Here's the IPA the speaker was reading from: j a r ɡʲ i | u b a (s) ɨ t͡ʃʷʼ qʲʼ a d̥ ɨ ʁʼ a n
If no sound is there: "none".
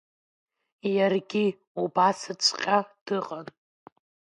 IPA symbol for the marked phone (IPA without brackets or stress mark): s